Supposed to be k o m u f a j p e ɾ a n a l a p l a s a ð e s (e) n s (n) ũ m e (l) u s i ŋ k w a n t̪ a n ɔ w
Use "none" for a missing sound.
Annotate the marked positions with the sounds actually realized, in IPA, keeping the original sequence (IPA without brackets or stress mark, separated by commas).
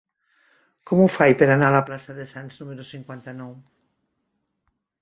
a, n, ɾ